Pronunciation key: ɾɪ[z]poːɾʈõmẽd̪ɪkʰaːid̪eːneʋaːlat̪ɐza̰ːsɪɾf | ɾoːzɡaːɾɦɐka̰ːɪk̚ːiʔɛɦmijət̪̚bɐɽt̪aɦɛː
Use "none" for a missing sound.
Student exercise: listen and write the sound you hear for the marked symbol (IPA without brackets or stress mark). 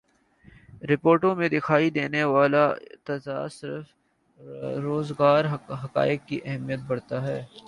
none